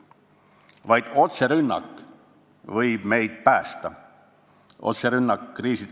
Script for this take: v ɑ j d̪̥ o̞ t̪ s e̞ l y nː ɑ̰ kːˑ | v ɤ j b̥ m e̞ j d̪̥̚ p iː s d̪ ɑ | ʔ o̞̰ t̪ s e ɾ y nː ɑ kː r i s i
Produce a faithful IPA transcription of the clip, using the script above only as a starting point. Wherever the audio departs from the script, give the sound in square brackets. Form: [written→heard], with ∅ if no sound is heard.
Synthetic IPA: v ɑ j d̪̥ o̞ t̪ s e̞ [l→ɾ] y nː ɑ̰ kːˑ | v ɤ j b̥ m e̞ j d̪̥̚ p [iː→æː] s [d̪→t̪] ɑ | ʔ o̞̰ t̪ s e ɾ y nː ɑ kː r [i→iː] s i